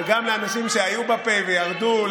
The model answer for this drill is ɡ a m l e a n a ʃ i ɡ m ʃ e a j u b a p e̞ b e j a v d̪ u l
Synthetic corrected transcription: ɡ a m l e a n a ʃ i m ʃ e a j u b a p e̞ v e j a ʁ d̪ u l